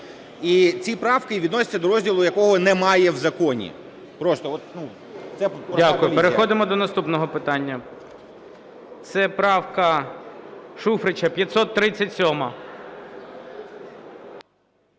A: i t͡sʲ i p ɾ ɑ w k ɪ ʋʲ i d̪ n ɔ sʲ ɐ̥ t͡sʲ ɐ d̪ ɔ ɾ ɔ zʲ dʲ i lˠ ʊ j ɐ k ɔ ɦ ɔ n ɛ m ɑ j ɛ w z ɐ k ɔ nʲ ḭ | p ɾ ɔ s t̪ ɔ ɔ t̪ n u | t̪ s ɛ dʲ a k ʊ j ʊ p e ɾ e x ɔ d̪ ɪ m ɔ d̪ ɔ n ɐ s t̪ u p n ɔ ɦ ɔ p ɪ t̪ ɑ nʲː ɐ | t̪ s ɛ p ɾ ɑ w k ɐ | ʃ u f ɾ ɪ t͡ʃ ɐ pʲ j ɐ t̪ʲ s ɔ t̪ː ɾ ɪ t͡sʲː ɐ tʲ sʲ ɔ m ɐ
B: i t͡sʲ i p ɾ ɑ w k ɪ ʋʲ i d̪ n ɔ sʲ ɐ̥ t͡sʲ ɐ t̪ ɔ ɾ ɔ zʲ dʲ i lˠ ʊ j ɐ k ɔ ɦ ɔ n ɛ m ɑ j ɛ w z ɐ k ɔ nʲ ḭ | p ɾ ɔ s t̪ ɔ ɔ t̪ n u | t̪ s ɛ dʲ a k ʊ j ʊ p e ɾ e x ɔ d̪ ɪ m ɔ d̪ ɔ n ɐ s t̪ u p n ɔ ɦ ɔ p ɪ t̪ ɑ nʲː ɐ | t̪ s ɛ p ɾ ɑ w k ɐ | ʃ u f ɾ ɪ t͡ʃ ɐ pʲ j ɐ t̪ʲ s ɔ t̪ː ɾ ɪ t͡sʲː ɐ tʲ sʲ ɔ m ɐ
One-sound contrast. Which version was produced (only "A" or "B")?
A